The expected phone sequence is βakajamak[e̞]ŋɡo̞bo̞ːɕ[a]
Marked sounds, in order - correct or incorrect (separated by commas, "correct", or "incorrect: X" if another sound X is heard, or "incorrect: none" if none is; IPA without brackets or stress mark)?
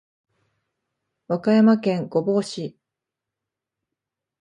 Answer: incorrect: ẽ̞, incorrect: i